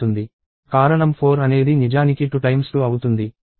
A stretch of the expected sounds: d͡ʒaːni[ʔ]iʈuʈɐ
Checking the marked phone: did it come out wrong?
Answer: yes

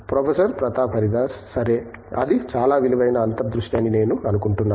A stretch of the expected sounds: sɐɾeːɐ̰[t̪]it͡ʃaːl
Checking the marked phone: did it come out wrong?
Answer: yes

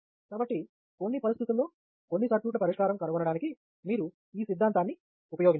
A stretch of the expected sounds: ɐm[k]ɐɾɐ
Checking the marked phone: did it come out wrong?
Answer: no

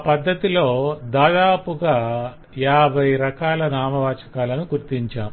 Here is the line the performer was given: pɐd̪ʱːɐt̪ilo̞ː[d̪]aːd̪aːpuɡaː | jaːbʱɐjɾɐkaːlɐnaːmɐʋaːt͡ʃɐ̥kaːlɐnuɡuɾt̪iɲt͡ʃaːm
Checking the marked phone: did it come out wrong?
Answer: no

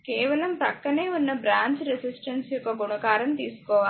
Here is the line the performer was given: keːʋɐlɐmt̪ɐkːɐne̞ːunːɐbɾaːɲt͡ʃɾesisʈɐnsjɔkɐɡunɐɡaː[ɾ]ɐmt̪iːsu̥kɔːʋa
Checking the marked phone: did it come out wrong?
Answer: no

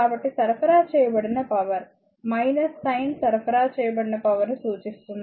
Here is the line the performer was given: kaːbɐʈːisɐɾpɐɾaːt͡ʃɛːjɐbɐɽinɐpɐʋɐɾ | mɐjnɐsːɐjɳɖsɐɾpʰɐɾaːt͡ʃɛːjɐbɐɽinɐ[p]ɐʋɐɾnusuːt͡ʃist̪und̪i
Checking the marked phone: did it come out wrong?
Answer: no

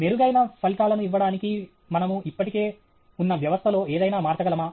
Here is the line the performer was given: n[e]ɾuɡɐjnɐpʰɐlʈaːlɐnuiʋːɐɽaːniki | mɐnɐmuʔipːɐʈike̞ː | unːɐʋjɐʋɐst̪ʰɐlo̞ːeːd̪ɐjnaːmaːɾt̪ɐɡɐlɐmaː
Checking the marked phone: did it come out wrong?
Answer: no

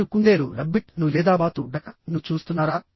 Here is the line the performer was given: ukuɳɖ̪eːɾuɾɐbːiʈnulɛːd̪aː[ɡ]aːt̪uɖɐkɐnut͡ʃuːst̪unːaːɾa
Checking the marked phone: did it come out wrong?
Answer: yes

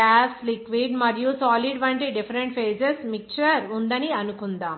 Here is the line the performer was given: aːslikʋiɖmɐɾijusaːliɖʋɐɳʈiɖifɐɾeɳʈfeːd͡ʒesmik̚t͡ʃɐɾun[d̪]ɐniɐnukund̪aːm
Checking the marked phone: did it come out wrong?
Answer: no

